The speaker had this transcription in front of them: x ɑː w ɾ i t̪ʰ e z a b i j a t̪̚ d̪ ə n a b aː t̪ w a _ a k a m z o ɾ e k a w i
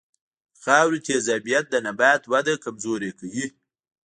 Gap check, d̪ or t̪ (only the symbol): d̪